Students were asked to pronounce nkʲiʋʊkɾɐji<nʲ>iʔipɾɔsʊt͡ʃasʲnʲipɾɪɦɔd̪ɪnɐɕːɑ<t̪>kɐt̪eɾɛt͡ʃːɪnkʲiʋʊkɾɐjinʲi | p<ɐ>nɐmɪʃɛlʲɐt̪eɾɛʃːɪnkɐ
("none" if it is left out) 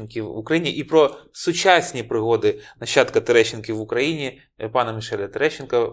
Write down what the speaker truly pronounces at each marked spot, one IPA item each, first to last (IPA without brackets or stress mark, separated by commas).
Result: nʲ, t̪, ɑ